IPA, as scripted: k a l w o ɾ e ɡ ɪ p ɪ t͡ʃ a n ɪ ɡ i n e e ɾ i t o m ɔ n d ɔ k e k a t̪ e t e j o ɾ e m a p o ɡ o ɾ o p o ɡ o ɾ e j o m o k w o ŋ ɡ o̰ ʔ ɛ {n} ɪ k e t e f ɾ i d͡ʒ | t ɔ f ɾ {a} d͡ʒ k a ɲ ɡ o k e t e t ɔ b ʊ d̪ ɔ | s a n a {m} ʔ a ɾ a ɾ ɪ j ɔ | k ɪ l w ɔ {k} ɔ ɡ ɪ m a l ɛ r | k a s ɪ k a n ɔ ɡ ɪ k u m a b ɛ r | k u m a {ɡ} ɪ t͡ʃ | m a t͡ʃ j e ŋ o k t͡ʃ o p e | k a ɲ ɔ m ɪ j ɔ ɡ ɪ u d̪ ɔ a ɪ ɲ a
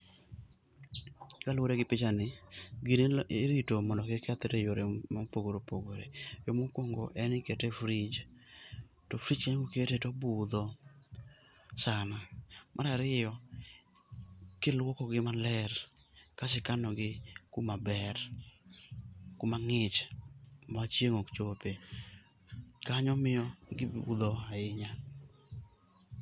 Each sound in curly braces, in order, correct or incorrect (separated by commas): correct, incorrect, correct, correct, incorrect